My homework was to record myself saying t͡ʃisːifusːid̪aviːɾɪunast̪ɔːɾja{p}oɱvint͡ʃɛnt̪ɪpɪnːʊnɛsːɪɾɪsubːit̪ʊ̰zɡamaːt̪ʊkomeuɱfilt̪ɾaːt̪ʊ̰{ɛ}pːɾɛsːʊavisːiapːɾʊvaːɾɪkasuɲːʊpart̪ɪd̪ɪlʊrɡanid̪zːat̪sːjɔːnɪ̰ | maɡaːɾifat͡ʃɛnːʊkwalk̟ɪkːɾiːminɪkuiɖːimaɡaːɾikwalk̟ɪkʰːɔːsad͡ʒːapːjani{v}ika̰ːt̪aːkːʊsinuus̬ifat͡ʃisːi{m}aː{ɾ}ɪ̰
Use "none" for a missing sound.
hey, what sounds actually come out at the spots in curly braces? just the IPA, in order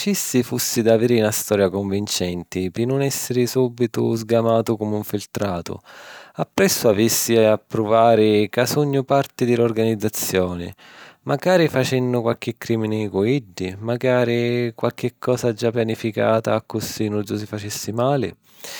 k, a, f, m, l

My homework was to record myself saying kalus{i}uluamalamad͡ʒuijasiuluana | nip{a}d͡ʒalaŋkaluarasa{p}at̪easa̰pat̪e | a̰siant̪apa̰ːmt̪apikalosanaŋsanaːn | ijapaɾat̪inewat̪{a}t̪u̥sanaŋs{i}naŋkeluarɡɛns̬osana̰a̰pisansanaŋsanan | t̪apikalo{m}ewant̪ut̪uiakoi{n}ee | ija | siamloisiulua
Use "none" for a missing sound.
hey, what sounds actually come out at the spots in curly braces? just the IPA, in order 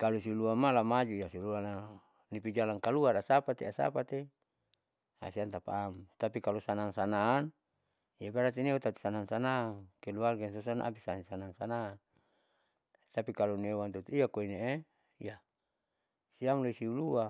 i, i, p, a, a, n, n

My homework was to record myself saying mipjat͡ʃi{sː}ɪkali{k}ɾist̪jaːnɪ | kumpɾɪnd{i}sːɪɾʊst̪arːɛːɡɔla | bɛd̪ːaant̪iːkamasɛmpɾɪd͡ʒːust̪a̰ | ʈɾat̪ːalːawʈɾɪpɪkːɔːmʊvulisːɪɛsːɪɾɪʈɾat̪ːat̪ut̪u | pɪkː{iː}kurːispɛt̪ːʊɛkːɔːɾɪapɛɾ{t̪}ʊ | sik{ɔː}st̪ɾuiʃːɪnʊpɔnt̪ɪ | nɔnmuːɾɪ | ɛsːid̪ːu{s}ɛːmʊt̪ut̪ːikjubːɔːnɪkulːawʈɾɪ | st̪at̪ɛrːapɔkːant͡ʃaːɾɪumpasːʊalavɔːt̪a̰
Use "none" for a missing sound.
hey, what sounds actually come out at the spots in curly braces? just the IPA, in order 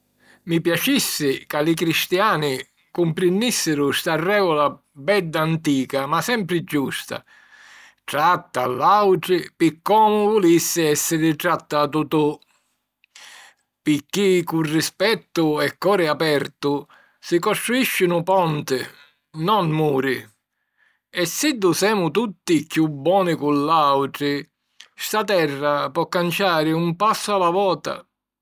sː, k, i, i, t̪, ɔ, s

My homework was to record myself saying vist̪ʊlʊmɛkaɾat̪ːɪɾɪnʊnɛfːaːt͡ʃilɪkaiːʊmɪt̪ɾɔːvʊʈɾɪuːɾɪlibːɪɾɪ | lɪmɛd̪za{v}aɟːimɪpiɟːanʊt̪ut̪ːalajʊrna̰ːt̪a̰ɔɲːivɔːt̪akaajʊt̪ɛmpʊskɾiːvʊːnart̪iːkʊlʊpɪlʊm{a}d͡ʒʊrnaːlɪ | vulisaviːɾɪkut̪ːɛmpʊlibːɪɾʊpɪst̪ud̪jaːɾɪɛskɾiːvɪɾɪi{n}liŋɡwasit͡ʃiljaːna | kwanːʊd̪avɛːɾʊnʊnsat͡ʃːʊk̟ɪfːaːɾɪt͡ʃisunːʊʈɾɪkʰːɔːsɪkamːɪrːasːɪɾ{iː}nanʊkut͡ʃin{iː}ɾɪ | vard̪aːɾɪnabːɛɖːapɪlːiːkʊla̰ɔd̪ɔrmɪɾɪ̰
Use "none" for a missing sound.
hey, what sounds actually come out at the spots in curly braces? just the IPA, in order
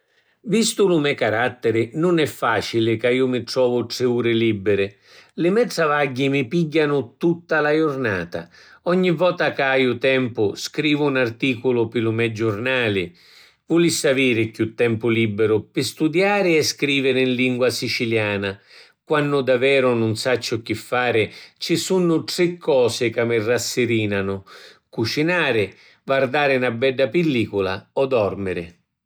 v, ɛ, n, iː, aː

